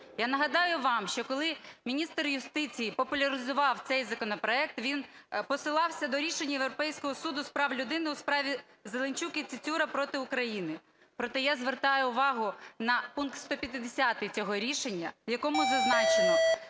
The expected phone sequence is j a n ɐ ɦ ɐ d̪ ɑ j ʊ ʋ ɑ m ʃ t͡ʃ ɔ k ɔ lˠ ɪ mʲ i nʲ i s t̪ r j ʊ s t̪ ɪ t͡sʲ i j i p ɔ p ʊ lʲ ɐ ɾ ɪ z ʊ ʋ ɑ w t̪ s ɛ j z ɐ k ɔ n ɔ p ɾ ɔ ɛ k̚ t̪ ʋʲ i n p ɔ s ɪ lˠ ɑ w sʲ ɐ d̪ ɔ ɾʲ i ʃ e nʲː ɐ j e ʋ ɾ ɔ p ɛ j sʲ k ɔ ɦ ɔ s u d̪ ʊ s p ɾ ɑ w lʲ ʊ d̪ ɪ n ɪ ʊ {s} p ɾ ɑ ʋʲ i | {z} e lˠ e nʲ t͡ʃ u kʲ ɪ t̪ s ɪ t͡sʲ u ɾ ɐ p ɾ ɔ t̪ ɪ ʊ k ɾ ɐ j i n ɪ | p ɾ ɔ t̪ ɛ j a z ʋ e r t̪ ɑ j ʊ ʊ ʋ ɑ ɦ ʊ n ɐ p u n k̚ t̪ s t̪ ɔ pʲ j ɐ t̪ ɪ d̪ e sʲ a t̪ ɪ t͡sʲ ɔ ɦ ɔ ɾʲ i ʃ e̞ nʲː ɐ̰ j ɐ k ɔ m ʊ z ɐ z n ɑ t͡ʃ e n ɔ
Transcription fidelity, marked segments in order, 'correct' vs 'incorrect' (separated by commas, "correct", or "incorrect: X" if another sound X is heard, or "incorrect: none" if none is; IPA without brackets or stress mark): correct, correct